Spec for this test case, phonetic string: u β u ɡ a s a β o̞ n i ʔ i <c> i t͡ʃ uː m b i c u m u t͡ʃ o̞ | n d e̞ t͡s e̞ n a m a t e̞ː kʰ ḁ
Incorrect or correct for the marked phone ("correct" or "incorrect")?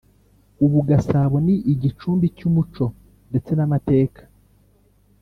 incorrect